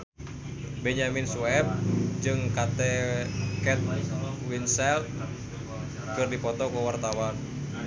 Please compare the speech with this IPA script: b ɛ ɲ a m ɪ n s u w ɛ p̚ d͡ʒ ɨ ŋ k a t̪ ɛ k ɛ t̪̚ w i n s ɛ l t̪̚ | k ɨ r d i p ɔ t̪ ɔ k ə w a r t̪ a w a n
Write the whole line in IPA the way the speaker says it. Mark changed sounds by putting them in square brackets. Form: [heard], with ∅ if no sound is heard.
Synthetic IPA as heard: b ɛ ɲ a m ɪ n s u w ɛ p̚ d͡ʒ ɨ ŋ k a t̪ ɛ k ɛ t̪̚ w i n s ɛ l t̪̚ | k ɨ r d i p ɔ t̪ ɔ k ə w a r t̪ a w a n